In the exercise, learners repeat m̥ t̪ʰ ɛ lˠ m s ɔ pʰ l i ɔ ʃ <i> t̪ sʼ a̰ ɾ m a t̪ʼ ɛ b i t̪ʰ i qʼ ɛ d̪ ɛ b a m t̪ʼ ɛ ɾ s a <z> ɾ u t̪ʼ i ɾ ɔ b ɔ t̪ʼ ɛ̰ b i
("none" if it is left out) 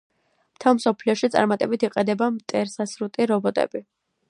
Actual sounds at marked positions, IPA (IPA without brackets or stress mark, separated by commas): i, s